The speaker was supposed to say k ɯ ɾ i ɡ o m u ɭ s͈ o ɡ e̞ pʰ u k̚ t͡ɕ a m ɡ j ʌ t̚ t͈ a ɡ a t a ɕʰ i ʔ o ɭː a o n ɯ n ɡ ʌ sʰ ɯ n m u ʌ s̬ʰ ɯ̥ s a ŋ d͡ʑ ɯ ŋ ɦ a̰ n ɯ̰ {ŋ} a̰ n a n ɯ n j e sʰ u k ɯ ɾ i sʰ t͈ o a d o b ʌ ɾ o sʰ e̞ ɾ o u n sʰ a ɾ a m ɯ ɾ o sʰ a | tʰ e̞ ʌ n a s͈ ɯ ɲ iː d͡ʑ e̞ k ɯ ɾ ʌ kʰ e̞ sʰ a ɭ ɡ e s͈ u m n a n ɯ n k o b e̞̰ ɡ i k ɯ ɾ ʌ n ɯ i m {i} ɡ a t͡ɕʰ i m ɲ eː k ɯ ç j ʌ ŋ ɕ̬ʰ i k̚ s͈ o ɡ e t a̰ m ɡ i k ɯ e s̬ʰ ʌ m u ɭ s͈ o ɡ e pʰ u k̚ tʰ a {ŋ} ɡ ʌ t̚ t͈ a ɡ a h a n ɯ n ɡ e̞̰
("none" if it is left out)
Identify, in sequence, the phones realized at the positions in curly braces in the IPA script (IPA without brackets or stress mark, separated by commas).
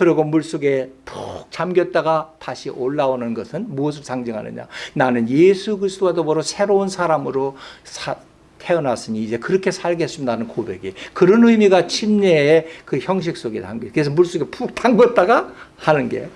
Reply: ɲ, i, ŋ